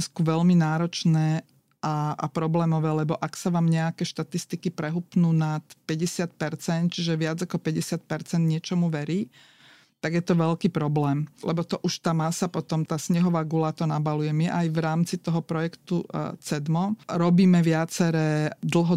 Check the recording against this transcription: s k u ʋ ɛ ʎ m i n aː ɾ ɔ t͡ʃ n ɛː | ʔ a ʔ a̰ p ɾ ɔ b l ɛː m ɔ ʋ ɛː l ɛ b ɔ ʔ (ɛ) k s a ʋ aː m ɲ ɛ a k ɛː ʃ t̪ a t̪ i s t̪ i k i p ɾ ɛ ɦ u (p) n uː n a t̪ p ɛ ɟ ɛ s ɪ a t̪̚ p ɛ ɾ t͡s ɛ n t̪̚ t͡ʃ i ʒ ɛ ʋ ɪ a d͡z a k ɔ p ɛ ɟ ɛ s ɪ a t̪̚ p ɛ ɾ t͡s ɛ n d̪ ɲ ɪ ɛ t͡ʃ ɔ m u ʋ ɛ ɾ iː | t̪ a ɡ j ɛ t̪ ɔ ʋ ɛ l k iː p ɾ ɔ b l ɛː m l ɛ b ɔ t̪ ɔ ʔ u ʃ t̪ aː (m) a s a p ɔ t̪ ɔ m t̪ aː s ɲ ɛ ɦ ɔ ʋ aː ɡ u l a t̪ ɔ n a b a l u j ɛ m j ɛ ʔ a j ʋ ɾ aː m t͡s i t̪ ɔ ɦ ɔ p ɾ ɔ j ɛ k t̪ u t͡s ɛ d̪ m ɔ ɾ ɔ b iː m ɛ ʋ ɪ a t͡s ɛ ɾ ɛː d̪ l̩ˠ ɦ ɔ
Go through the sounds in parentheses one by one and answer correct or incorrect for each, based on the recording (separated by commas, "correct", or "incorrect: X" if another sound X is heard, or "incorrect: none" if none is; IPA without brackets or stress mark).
incorrect: a, correct, correct